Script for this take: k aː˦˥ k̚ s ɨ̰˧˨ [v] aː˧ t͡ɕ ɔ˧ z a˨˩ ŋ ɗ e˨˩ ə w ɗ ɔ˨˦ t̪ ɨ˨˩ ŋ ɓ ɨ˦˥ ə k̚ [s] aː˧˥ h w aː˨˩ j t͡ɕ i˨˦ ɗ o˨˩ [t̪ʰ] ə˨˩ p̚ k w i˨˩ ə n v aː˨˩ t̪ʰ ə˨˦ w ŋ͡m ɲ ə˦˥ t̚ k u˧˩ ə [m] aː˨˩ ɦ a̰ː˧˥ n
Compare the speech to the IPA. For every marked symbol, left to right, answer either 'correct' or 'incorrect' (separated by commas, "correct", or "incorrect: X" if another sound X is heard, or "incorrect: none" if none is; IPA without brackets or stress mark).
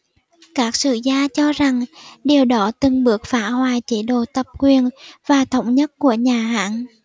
incorrect: z, incorrect: f, incorrect: t̪, incorrect: ɲ